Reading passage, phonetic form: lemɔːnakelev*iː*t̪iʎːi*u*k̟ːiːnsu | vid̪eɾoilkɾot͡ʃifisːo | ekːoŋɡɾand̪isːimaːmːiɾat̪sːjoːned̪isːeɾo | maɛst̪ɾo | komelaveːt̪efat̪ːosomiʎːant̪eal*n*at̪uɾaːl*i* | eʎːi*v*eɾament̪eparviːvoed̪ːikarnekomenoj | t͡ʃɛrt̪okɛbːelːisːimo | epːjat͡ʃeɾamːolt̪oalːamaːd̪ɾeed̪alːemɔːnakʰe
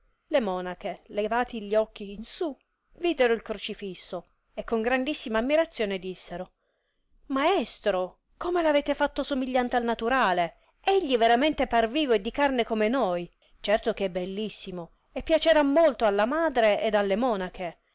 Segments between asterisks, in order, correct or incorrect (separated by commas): incorrect, incorrect, correct, incorrect, correct